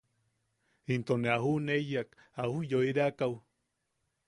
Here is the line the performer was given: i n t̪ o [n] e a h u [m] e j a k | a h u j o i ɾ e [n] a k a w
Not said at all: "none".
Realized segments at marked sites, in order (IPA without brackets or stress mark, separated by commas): n, n, none